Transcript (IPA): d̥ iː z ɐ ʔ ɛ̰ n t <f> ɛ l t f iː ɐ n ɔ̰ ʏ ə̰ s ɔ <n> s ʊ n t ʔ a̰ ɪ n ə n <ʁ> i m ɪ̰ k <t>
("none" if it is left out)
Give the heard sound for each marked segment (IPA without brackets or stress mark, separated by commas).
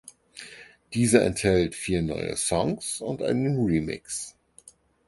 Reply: h, ŋ, ʁ, s